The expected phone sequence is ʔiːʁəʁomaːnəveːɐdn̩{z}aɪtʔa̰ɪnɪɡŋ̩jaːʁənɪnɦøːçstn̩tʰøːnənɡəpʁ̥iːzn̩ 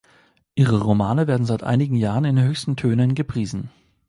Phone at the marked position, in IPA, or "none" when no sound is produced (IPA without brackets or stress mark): z